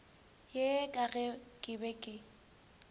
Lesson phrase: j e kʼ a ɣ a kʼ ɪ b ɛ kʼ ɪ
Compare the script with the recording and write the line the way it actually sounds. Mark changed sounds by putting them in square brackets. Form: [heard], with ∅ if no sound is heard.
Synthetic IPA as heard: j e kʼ a ɣ [ɛ] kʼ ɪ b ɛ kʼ ɪ